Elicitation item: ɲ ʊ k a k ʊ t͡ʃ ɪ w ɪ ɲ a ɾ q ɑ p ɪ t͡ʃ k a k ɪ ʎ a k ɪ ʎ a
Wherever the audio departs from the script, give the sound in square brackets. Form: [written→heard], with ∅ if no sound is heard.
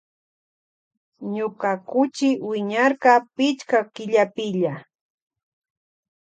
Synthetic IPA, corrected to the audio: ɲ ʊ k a k ʊ t͡ʃ ɪ w ɪ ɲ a ɾ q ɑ p ɪ t͡ʃ k a k ɪ ʎ a [k→p] ɪ ʎ a